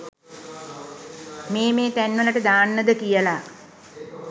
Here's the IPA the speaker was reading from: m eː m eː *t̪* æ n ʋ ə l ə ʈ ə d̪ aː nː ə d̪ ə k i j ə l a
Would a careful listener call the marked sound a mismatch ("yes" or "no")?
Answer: no